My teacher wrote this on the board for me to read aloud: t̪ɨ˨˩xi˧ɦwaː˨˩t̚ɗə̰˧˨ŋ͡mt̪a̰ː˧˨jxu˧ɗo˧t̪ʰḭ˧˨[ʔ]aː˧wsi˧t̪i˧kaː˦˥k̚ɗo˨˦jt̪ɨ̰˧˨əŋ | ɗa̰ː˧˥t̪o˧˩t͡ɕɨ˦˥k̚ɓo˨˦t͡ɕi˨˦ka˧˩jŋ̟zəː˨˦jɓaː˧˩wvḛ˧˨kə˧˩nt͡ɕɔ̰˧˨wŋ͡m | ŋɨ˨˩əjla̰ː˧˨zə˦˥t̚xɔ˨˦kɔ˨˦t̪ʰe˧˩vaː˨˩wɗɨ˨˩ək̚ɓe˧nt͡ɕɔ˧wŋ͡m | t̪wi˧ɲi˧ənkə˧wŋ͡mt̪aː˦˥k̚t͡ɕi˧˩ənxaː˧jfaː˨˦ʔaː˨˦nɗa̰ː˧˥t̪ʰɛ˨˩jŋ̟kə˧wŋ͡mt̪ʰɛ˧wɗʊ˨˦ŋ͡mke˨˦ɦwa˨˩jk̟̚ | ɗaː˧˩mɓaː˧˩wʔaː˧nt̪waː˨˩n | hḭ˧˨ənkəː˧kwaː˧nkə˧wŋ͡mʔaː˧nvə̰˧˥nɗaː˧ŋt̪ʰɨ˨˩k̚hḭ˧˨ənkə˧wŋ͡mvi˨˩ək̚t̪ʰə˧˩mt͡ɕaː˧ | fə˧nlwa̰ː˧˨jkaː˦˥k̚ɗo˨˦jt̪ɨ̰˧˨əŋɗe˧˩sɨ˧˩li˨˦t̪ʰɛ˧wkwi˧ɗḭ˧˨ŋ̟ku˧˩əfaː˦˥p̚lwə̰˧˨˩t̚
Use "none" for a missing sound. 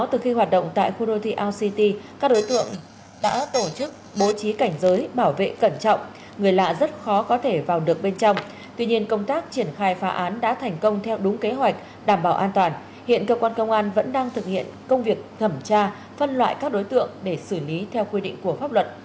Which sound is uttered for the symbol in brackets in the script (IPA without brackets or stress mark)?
ʔ